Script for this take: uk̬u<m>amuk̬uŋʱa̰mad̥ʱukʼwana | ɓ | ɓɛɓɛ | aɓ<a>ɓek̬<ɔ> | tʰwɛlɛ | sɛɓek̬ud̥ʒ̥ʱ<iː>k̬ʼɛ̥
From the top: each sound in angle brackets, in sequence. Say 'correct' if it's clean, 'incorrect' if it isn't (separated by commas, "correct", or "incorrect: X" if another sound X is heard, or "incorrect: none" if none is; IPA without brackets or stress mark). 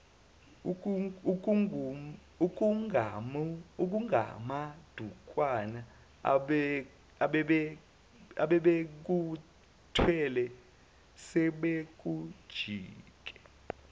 incorrect: ŋ, incorrect: ɛ, incorrect: u, correct